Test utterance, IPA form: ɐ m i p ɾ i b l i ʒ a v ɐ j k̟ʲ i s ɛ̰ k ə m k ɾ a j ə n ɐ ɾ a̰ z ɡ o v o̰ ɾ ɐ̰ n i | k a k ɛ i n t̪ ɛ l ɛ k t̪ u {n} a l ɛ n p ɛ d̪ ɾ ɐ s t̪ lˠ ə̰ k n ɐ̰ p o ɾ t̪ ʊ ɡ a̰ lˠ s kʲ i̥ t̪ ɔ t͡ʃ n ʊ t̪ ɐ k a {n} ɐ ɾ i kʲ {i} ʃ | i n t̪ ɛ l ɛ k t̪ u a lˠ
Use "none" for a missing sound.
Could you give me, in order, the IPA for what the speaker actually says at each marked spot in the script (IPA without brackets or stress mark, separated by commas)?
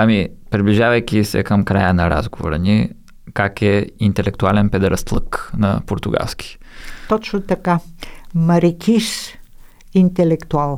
none, m, i